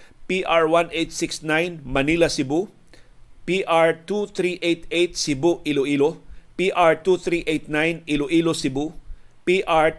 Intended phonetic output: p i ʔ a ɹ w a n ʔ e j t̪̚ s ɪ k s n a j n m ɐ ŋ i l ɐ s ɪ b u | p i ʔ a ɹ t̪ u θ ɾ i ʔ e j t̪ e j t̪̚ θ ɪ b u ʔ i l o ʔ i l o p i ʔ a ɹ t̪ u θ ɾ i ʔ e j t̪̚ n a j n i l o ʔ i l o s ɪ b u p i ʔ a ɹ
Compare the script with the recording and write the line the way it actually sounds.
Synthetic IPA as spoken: p i ʔ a ɹ w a n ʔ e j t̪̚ s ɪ k s n a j n m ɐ n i l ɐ s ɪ b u | p i ʔ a ɹ t̪ u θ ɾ i ʔ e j t̪ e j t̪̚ s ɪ b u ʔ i l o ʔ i l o p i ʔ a ɹ t̪ u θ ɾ i ʔ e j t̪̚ n a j n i l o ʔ i l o s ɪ b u p i ʔ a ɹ